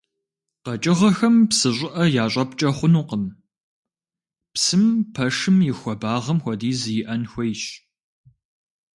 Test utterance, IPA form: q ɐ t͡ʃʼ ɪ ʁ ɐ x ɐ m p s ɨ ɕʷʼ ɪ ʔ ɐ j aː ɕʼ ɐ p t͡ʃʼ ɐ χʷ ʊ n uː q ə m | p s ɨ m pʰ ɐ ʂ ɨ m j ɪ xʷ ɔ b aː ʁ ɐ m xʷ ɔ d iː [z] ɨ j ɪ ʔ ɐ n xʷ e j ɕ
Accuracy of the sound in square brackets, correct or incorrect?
correct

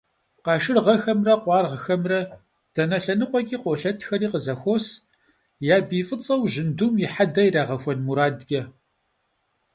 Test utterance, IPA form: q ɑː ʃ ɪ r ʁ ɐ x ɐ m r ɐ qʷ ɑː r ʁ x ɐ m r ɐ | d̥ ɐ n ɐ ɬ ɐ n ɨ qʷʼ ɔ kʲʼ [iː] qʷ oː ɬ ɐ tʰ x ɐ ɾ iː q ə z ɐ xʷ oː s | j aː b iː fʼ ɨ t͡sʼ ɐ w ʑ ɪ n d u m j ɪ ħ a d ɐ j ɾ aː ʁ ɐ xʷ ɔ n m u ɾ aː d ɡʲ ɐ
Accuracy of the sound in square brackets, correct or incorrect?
correct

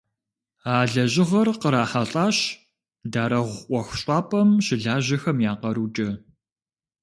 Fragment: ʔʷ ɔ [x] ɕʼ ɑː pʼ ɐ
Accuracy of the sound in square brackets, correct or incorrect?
correct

